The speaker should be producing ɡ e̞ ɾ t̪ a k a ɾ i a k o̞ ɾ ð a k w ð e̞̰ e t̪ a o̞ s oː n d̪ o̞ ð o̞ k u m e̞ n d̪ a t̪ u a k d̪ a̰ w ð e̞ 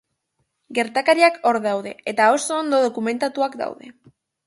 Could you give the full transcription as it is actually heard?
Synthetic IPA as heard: ɡ e̞ ɾ t̪ a k a ɾ i a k o̞ ɾ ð a w ð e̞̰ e t̪ a o̞ s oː n d̪ o̞ ð o̞ k u m e̞ n t̪ a t̪ u a k d̪ a̰ w ð e̞